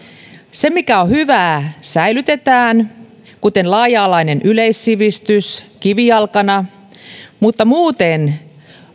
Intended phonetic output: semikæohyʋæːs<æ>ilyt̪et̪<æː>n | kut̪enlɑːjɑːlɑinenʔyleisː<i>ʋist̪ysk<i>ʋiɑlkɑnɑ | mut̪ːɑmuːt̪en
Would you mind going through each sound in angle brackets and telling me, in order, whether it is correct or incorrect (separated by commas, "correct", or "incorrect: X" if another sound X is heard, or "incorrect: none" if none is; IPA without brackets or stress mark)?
correct, correct, correct, correct